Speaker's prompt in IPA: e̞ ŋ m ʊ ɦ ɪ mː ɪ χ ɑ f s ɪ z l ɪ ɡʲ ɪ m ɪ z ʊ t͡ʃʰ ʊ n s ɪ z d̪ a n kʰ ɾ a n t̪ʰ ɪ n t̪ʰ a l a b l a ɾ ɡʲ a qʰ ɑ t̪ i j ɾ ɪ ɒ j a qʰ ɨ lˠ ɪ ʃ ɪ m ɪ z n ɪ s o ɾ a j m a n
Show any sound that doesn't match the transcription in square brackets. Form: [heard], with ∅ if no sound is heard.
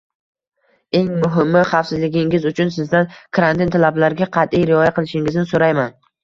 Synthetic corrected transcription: e̞ ŋ m ʊ ɦ ɪ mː ɪ χ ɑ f s ɪ z l ɪ ɡʲ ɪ [ŋ] ɪ z ʊ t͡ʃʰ ʊ n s ɪ z d̪ a n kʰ ɾ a n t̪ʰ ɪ n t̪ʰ a l a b l a ɾ ɡʲ a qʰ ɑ t̪ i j ɾ ɪ ɒ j a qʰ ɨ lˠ ɪ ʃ ɪ [ŋ] ɪ z n ɪ s o ɾ a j m a n